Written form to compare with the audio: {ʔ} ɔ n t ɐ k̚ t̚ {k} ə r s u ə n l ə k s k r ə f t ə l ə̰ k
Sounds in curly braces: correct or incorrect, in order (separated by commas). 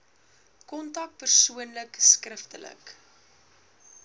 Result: incorrect, incorrect